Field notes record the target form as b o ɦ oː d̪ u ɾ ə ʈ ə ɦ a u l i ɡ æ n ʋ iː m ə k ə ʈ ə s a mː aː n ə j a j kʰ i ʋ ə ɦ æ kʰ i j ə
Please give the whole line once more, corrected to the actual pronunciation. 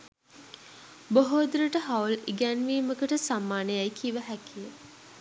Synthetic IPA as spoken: b o ɦ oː d̪ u ɾ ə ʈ ə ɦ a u l i ɡ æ n ʋ iː m ə k ə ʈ ə s a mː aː n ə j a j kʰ i ʋ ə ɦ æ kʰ i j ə